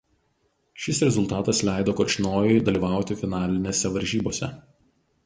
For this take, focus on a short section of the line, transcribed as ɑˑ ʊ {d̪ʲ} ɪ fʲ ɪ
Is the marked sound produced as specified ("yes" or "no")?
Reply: no